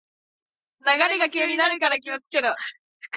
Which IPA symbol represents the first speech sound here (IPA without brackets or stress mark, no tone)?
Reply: n